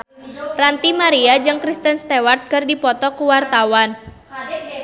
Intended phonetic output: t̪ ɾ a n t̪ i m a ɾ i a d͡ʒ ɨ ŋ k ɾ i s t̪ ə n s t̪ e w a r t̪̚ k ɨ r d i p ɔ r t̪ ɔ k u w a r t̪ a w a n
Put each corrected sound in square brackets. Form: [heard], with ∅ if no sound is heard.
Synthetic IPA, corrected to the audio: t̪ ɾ a n t̪ i m a ɾ i a d͡ʒ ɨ ŋ k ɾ i s t̪ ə n s t̪ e w a r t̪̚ k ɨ r d i p ɔ [∅] t̪ ɔ k u w a r t̪ a w a n